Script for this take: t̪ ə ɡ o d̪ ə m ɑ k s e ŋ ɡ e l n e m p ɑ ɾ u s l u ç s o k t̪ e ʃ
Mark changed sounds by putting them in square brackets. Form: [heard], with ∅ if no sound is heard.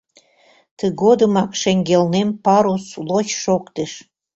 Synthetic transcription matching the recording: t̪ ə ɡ o d̪ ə m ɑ k [ʃ] e ŋ ɡ e l n e m p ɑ ɾ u s l [o] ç [ʃ] o k t̪ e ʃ